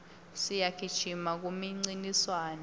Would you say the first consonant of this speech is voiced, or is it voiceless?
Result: voiceless